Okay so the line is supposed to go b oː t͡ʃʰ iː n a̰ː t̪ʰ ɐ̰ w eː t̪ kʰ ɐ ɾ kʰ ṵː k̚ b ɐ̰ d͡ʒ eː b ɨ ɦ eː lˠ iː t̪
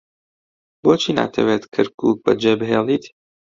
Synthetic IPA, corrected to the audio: b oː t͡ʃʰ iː n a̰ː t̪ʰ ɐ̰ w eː t̪ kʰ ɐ ɾ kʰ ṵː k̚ b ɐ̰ d͡ʒ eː b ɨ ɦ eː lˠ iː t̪